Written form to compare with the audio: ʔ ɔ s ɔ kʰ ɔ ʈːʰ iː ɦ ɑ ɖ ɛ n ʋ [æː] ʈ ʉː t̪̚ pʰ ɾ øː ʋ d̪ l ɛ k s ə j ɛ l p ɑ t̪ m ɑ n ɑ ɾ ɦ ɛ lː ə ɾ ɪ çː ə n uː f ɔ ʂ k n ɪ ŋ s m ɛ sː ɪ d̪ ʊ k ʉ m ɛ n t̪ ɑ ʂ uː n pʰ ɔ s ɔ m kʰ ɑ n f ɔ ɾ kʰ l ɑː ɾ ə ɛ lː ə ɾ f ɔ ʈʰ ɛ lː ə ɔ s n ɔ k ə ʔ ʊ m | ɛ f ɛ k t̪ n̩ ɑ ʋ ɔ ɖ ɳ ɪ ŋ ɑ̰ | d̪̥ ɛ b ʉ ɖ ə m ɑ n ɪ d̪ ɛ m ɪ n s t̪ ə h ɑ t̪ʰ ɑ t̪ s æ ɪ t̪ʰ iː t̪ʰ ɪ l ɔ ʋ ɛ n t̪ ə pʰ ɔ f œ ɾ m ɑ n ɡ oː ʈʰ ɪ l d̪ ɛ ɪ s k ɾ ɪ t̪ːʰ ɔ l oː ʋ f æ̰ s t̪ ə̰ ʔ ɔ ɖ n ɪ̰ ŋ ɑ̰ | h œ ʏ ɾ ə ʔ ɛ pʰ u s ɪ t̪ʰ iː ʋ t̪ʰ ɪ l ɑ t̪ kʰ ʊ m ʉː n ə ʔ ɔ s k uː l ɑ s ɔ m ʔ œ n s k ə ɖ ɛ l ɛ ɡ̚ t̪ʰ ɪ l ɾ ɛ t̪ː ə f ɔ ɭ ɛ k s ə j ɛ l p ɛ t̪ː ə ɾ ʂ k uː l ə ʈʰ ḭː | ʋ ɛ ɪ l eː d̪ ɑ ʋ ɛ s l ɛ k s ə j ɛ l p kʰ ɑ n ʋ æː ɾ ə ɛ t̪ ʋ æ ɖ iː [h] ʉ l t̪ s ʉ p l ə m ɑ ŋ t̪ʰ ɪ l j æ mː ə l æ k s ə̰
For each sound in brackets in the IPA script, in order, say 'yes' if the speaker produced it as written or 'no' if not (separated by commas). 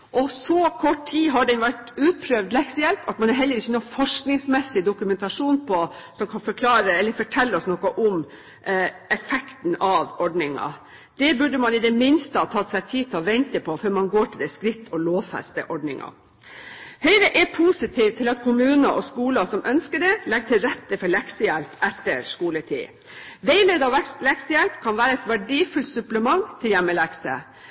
no, no